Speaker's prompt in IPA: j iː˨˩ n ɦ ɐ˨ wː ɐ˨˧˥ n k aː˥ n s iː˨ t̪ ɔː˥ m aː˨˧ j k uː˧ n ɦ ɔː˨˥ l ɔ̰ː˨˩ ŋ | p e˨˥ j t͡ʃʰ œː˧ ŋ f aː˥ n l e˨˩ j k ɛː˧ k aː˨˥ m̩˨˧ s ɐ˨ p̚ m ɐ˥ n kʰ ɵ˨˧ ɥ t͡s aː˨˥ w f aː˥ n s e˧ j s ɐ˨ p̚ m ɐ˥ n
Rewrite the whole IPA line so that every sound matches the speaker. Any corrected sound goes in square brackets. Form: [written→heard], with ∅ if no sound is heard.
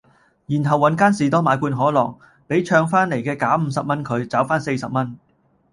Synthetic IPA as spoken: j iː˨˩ n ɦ ɐ˨ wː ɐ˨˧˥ n k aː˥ n s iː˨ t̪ ɔː˥ m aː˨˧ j k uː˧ n ɦ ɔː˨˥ l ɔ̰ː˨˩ ŋ | p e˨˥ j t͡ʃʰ œː˧ ŋ f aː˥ n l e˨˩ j k ɛː˧ k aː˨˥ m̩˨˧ s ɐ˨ p̚ m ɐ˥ n kʰ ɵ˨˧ ɥ t͡s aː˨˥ w f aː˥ n s e˧ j s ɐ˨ p̚ m ɐ˥ n